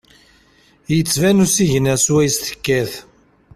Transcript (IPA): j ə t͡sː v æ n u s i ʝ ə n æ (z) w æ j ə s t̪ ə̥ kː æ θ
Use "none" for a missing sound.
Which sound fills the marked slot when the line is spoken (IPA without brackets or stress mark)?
s